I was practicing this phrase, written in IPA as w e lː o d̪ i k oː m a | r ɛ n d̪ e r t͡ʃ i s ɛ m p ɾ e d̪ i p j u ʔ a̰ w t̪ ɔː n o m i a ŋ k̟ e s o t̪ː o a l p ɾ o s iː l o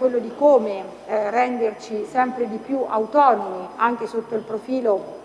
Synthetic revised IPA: w e lː o d̪ i k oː m e | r ɛ n d̪ e r t͡ʃ i s ɛ m p ɾ e d̪ i p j u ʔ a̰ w t̪ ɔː n o m i a ŋ k̟ e s o t̪ː o i l p ɾ o f iː l o